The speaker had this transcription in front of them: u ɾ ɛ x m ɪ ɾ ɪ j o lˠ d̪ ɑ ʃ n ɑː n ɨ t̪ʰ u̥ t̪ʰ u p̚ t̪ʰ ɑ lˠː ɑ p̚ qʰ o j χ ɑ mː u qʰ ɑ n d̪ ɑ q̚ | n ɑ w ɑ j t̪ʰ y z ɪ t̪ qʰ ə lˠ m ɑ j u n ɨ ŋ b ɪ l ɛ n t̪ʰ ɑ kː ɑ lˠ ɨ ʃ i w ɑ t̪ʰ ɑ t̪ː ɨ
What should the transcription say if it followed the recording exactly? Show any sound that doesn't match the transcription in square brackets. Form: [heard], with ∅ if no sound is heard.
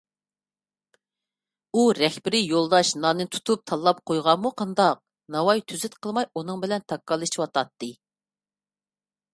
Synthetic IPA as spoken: u ɾ ɛ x [b] ɪ ɾ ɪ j o lˠ d̪ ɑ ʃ n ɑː n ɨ t̪ʰ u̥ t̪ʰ u p̚ t̪ʰ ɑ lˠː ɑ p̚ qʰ o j [ʁ] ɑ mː u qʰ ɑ n d̪ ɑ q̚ | n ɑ w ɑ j t̪ʰ y z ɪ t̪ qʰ ə lˠ m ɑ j u n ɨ ŋ b ɪ l ɛ n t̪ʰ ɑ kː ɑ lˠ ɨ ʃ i w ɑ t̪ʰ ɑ t̪ː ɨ